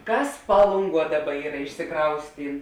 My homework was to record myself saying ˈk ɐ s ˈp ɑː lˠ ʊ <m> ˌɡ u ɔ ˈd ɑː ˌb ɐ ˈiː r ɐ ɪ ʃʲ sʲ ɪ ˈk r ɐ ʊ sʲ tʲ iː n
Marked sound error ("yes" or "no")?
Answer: yes